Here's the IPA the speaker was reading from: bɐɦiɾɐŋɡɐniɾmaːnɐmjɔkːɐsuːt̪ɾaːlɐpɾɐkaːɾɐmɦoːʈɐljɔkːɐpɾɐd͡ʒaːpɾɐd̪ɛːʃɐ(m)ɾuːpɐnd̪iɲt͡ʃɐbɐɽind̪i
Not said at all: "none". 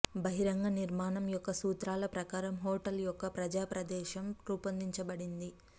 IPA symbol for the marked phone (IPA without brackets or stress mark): m